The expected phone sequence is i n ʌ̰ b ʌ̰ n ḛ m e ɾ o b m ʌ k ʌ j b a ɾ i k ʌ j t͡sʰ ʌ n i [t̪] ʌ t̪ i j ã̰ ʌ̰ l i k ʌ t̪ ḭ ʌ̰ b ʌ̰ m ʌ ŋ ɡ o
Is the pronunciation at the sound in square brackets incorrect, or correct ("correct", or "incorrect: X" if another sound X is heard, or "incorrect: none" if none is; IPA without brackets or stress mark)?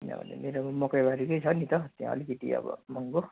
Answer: correct